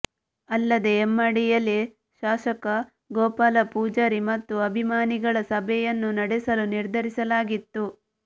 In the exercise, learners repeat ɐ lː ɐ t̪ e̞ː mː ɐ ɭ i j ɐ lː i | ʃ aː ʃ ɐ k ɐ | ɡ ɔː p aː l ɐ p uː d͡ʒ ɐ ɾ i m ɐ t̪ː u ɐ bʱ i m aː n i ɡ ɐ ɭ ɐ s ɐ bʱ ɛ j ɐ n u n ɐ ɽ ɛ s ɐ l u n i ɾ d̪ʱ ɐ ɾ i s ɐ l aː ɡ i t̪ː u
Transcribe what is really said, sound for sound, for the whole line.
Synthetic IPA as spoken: ɐ lː ɐ d̪ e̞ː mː ɐ ɽ i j ɐ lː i | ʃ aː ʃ ɐ k ɐ | ɡ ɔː p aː l ɐ p uː d͡ʒ ɐ ɾ i m ɐ t̪ː u ɐ bʱ i m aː n i ɡ ɐ ɭ ɐ s ɐ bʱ ɛ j ɐ nː u n ɐ ɽ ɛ s ɐ l u n i ɾ d̪ʱ ɐ ɾ i s ɐ l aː ɡ i t̪ː u